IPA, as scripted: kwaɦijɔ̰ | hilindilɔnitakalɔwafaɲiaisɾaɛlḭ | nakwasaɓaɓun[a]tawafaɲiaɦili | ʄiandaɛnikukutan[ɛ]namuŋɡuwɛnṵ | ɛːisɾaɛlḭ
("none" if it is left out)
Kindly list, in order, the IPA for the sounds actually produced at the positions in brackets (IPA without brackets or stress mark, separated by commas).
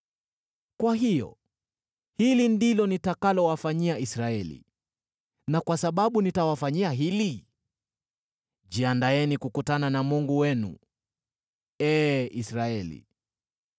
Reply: i, a